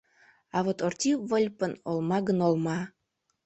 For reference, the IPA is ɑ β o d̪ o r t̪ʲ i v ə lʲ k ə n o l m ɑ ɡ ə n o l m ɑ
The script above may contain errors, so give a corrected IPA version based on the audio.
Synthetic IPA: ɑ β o t̪ o r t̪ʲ i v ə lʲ p ə n o l m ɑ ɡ ə n o l m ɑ